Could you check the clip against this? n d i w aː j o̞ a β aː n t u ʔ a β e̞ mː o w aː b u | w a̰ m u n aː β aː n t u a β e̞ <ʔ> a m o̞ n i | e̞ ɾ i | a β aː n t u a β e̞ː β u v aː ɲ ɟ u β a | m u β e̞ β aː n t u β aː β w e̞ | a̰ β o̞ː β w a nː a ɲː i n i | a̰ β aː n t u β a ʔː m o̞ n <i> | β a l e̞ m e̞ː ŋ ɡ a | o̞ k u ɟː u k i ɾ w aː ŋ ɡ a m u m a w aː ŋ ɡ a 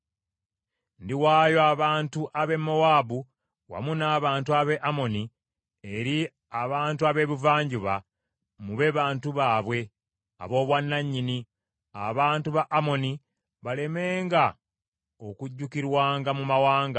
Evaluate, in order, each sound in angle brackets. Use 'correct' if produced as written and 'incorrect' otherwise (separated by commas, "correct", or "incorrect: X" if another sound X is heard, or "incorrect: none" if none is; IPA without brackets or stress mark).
correct, correct